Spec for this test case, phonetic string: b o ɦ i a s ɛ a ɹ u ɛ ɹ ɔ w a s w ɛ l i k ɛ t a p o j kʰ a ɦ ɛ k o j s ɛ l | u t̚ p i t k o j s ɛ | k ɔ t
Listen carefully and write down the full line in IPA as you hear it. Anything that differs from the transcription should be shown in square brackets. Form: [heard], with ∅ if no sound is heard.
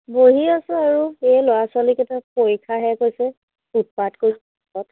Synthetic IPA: b o ɦ i a s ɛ a ɹ u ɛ [l] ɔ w a s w [a] l i k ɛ t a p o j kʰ a ɦ ɛ k o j s ɛ [∅] | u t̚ p [a] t k o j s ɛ | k ɔ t